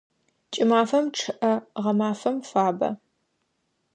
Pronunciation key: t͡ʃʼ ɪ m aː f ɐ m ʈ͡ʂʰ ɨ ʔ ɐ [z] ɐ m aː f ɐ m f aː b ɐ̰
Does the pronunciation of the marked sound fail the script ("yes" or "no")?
yes